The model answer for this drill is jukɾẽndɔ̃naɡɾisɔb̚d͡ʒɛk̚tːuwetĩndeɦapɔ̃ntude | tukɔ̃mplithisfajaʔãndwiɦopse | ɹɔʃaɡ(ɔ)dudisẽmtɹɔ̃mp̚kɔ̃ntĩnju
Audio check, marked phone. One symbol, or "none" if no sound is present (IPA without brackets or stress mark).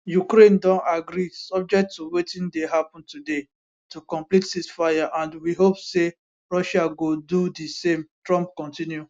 o